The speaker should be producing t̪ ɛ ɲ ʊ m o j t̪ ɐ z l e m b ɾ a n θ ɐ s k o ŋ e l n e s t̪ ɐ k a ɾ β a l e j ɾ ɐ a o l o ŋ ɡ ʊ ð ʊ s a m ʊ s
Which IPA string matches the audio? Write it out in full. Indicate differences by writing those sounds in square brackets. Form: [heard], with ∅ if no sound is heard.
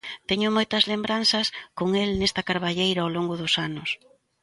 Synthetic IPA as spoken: t̪ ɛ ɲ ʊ m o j t̪ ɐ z l e m b ɾ a n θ ɐ s k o ŋ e l n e s t̪ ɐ k a ɾ β a [ʎ] e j ɾ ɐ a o l o ŋ ɡ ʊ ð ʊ s a [n] ʊ s